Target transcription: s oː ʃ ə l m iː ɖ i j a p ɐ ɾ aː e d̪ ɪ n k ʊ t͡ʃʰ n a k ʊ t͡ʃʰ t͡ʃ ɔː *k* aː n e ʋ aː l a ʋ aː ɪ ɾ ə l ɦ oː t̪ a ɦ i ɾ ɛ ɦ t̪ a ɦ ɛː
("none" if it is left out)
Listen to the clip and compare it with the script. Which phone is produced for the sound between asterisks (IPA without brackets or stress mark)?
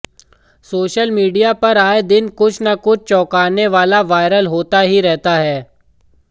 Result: k